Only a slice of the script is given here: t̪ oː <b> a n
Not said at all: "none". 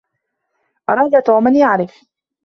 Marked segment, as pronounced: m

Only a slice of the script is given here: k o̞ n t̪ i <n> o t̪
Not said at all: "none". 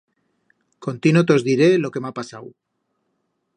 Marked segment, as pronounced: n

